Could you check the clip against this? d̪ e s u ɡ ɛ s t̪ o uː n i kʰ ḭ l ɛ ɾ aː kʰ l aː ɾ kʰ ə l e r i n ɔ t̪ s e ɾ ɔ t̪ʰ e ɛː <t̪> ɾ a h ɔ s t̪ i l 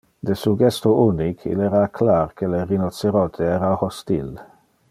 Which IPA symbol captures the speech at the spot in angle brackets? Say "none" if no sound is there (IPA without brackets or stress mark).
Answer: none